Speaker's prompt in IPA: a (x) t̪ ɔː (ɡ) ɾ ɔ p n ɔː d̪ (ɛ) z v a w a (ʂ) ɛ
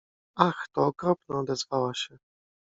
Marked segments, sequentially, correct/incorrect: correct, incorrect: k, correct, incorrect: ɕ

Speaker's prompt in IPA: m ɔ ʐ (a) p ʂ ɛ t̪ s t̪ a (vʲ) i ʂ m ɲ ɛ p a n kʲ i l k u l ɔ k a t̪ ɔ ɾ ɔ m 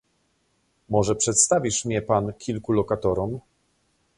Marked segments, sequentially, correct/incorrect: incorrect: ɛ, correct

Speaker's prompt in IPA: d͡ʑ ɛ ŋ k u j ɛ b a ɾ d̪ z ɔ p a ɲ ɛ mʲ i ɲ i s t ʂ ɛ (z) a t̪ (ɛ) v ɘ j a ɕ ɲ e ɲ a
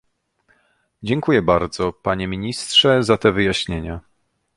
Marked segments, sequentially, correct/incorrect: correct, correct

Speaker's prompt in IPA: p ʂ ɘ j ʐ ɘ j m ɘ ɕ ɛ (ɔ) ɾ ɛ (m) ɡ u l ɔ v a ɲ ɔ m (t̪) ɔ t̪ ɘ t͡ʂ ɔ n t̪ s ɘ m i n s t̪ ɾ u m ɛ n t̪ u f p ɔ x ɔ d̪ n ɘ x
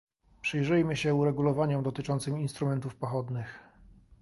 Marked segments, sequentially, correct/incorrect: incorrect: u, incorrect: none, incorrect: d̪

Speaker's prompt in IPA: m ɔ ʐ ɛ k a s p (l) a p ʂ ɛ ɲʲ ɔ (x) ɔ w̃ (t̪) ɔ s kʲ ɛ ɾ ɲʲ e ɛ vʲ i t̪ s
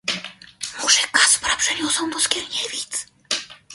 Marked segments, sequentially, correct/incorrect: incorrect: ɾ, incorrect: s, incorrect: d̪

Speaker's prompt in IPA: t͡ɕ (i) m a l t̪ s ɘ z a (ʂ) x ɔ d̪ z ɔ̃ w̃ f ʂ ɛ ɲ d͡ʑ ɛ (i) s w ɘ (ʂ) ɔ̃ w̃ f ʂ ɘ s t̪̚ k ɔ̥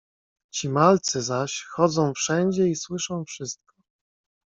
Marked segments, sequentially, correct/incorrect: correct, incorrect: ɕ, correct, correct

